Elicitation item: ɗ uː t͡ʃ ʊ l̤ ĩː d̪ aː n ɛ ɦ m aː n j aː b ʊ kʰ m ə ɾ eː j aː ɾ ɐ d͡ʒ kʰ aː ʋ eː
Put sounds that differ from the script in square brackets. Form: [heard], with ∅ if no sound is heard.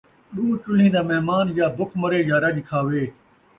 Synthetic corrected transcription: ɗ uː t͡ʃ ʊ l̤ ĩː d̪ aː [m] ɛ ɦ m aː n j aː b ʊ kʰ m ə ɾ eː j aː ɾ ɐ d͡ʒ kʰ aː ʋ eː